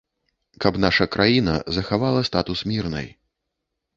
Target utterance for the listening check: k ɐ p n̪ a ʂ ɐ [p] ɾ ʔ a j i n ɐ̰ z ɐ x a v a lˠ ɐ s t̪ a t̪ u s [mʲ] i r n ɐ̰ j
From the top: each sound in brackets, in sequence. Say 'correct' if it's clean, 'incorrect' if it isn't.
incorrect: k, correct

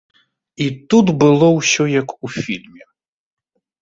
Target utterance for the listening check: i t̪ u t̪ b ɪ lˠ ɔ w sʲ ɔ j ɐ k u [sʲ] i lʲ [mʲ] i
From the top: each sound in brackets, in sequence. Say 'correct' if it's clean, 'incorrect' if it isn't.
incorrect: fʲ, correct

